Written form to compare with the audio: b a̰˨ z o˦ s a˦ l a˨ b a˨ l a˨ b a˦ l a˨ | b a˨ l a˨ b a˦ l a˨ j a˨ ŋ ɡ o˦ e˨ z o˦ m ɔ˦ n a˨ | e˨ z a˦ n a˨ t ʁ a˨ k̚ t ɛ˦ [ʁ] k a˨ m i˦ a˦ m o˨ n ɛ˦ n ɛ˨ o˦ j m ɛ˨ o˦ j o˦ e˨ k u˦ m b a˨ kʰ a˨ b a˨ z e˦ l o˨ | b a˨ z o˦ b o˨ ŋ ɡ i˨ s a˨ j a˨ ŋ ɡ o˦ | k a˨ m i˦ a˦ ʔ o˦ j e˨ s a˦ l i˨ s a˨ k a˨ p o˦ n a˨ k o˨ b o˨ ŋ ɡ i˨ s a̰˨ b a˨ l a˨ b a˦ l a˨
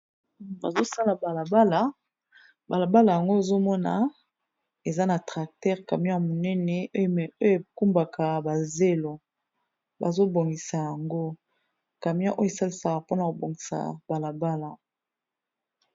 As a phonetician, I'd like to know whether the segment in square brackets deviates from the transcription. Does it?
no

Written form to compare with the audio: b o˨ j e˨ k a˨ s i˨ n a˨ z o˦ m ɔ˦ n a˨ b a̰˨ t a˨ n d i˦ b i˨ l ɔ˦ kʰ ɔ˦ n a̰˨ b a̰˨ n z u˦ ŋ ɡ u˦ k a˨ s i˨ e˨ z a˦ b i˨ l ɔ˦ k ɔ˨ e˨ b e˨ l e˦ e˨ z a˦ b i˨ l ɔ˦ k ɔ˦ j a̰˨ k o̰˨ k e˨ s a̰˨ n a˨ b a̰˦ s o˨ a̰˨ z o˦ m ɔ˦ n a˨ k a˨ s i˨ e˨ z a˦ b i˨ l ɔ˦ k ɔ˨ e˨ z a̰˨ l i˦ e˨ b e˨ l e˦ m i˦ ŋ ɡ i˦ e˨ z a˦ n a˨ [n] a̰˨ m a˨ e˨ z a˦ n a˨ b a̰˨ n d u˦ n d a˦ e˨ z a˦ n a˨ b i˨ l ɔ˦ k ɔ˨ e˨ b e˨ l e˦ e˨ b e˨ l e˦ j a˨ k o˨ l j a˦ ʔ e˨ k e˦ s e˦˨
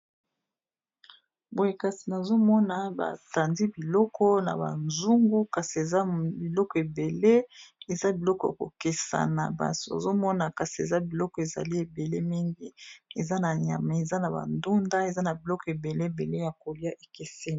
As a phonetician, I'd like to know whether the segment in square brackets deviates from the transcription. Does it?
yes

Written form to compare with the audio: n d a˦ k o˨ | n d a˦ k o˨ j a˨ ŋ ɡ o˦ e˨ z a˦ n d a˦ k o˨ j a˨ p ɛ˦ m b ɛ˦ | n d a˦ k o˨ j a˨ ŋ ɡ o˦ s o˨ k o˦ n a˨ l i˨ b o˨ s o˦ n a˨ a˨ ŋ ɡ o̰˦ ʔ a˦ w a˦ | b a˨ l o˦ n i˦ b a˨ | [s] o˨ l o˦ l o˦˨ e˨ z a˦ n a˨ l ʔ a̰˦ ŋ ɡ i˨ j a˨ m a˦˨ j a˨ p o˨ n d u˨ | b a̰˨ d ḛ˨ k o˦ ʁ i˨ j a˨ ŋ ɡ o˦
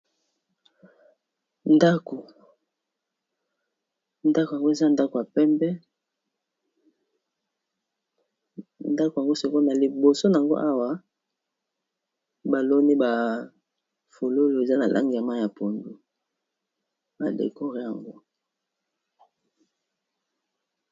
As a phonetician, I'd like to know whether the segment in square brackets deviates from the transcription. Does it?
yes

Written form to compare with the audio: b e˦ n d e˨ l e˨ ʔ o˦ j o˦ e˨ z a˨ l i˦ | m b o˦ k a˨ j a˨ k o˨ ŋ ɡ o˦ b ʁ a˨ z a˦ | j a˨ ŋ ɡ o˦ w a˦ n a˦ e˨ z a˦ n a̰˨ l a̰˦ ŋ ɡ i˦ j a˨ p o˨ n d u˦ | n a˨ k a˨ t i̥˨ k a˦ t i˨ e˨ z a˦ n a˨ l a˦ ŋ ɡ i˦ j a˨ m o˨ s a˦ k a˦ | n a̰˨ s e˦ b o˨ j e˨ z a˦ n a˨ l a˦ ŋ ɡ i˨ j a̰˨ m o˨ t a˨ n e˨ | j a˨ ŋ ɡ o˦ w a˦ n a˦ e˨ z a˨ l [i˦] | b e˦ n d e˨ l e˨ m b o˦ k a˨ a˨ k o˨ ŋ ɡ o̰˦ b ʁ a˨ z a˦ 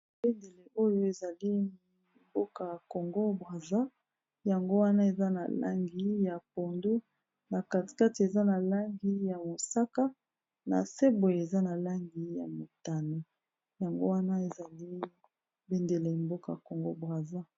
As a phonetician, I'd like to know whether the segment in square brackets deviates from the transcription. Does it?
no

